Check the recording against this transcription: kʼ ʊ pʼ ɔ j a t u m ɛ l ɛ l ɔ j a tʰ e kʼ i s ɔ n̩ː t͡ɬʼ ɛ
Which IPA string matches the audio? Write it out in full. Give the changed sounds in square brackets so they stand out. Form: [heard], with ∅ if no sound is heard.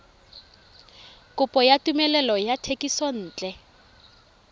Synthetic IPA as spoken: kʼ ʊ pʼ ɔ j a t u m ɛ l ɛ l ɔ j a tʰ e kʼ i s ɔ n̩ː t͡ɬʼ ɛ